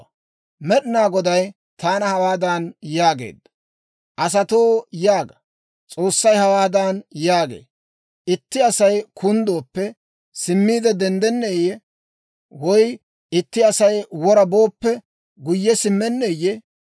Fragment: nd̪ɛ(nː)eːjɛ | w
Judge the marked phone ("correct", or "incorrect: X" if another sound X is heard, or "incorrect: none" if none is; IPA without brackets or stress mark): correct